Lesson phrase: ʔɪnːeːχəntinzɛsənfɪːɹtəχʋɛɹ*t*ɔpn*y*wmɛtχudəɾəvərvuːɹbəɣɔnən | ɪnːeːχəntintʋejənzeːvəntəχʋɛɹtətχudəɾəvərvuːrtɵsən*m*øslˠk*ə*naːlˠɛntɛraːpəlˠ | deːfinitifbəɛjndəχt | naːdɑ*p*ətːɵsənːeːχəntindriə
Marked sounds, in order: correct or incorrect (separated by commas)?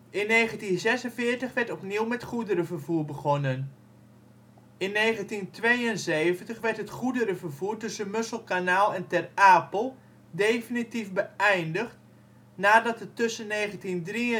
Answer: correct, incorrect, correct, incorrect, incorrect